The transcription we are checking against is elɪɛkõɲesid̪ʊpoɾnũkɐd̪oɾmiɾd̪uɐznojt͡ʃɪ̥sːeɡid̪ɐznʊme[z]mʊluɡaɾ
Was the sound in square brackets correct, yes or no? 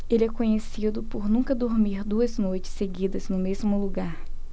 yes